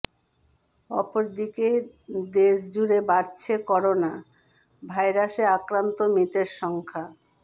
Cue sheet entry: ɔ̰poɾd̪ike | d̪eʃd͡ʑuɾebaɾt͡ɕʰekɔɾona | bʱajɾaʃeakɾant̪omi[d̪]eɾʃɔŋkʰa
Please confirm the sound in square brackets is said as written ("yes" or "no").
no